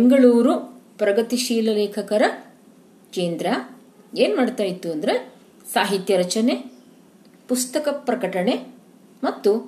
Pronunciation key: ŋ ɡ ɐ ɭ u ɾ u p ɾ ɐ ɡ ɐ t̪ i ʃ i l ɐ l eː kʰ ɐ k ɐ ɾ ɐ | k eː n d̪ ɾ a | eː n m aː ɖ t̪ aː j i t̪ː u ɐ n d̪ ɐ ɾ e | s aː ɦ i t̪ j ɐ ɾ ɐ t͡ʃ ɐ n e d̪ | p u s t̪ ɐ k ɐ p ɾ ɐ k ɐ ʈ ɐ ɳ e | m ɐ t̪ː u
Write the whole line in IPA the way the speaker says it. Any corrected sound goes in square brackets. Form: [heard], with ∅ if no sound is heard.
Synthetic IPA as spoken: ŋ ɡ ɐ ɭ [uː] ɾ u p ɾ ɐ ɡ ɐ t̪ i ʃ [iː] l ɐ l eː kʰ ɐ k ɐ ɾ ɐ | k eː n d̪ ɾ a | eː n m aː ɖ t̪ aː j i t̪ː u ɐ n d̪ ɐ ɾ e | s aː ɦ i t̪ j ɐ ɾ ɐ t͡ʃ ɐ n e [∅] | p u s t̪ ɐ k ɐ p ɾ ɐ k ɐ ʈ ɐ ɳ e | m ɐ t̪ː u